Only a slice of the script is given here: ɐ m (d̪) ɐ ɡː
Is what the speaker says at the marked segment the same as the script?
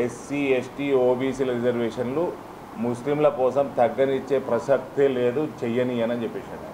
no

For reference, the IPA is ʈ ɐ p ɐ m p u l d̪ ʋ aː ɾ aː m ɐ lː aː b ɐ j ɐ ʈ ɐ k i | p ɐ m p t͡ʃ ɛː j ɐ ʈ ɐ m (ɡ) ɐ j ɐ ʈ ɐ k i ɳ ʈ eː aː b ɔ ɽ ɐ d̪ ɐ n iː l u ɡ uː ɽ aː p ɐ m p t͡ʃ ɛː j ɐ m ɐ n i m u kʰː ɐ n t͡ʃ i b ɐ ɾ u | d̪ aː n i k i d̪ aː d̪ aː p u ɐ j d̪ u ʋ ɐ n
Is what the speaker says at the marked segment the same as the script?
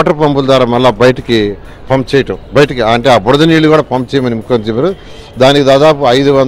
no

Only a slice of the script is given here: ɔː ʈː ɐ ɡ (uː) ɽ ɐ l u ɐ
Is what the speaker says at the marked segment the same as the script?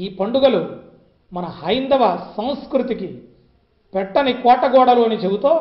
no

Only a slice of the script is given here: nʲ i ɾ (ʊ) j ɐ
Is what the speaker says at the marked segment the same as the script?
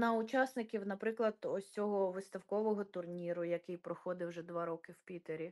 yes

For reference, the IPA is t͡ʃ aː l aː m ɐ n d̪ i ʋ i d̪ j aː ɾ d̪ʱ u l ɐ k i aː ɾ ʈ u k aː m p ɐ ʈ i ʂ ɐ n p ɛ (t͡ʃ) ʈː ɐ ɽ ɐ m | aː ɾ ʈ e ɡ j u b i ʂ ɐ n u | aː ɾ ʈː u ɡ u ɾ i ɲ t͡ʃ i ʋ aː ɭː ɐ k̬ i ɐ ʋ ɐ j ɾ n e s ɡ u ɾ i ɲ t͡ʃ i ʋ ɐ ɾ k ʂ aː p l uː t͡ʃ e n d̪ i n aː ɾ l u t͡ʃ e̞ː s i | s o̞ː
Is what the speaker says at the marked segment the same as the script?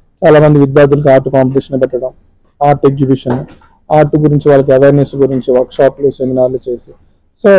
no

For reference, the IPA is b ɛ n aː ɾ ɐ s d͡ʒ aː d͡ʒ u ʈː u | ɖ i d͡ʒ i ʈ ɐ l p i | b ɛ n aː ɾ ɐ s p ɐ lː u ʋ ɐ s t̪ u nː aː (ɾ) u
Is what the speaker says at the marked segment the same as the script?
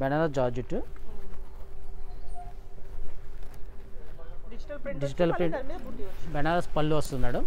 no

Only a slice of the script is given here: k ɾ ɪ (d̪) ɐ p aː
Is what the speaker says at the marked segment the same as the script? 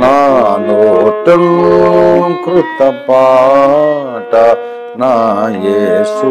no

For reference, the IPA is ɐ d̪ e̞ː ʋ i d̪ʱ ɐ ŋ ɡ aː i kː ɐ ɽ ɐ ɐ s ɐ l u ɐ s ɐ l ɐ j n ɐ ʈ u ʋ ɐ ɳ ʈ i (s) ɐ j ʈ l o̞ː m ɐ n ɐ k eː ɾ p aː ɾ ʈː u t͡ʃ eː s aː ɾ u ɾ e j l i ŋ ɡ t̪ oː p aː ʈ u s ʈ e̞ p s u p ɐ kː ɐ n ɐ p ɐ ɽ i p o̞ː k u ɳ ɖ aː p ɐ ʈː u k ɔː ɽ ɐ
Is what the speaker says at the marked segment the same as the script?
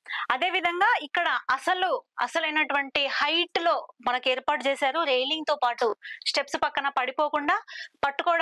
no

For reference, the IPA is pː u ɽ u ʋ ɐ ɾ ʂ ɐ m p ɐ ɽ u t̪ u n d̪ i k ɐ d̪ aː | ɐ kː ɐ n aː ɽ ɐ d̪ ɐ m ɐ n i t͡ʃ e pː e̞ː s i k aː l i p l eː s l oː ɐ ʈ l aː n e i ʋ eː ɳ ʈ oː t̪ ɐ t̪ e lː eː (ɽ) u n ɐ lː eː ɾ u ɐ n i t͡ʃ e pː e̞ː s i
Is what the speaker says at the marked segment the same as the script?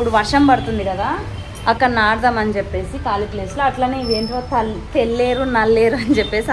no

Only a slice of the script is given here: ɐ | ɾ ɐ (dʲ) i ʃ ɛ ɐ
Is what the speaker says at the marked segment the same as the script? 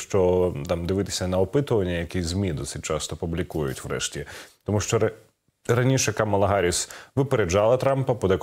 no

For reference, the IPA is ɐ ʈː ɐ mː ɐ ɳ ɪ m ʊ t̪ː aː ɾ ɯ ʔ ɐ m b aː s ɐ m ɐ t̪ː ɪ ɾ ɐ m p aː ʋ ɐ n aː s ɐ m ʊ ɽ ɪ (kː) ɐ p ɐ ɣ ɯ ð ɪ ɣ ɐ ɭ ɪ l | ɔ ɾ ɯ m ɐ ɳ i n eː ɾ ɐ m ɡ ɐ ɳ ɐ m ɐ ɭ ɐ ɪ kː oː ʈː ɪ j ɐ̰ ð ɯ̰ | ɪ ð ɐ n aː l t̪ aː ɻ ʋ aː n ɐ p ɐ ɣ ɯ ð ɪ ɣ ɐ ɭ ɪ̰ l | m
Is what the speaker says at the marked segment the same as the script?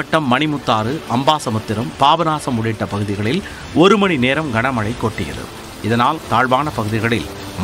no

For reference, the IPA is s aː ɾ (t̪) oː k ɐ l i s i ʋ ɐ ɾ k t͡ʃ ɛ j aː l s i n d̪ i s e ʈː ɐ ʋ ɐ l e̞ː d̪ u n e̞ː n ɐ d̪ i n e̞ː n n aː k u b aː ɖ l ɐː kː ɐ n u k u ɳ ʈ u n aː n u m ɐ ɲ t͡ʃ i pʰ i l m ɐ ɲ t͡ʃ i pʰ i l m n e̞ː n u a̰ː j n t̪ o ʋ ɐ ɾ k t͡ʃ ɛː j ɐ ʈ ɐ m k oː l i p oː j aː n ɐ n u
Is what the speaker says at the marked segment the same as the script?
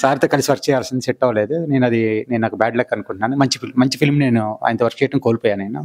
yes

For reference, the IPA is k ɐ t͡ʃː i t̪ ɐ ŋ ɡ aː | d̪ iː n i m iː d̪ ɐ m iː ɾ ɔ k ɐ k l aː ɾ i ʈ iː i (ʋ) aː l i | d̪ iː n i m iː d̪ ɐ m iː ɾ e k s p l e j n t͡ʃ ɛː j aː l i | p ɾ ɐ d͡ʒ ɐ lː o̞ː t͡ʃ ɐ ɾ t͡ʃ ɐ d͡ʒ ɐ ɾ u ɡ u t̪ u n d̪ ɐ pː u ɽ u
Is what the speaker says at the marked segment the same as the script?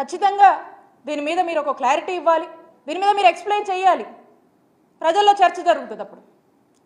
no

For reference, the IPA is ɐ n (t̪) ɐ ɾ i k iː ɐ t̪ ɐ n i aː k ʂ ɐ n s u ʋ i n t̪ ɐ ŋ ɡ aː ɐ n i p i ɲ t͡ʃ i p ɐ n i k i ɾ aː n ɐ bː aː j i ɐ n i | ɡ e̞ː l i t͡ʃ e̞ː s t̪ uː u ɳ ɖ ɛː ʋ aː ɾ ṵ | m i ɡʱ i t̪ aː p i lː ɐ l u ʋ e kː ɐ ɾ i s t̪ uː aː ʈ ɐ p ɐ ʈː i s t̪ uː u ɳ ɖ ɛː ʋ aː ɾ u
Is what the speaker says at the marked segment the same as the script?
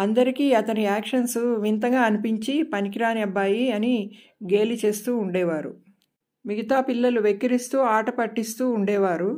no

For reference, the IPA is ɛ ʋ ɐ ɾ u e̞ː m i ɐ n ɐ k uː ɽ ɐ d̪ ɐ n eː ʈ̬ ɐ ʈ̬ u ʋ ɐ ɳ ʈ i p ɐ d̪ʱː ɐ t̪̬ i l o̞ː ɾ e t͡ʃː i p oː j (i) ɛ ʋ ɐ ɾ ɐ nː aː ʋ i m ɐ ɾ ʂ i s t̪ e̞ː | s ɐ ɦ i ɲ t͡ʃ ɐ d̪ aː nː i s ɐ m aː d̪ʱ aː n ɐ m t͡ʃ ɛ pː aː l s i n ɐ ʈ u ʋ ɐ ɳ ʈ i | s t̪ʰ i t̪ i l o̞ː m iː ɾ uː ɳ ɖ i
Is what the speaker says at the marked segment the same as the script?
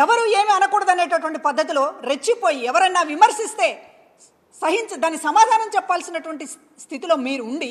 yes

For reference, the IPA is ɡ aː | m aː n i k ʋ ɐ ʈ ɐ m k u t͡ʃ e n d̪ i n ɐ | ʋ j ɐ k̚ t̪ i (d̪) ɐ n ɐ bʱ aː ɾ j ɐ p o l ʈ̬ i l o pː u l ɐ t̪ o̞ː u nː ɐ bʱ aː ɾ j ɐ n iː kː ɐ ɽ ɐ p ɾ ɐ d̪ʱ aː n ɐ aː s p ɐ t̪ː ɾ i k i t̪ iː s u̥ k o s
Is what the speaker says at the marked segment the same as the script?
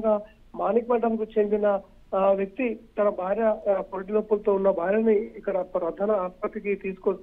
no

